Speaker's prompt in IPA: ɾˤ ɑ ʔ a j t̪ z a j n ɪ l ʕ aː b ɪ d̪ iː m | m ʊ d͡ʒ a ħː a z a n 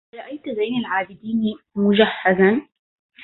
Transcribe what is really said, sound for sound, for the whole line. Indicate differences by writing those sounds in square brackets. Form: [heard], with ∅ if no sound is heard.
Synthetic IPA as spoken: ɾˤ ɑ ʔ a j t̪ z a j n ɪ l ʕ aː b ɪ d̪ iː [n] | m ʊ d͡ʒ a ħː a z a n